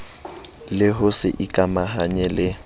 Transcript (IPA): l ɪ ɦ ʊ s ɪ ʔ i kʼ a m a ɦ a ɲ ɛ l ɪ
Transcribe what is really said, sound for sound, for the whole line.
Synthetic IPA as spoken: l ɪ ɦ ʊ s ɪ ʔ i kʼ a m a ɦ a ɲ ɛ l ɪ